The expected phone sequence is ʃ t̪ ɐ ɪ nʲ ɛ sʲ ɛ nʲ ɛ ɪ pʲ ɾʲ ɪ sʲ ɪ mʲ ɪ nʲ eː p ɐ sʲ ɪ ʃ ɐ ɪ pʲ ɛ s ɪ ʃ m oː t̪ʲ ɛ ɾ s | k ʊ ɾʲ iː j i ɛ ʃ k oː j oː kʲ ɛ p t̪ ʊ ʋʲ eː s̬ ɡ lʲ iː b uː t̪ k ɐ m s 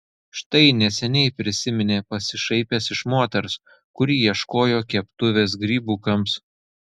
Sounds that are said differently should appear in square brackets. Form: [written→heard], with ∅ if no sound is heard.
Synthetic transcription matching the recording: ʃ t̪ ɐ ɪ nʲ ɛ sʲ ɛ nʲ ɛ ɪ pʲ ɾʲ ɪ sʲ ɪ mʲ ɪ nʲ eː p ɐ sʲ ɪ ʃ ɐ ɪ pʲ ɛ s ɪ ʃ m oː t̪ʲ ɛ ɾ s | k ʊ ɾʲ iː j i ɛ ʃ k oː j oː kʲ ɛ p t̪ ʊ ʋʲ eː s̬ ɡ [lʲ→ɾʲ] iː b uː [t̪→∅] k ɐ m s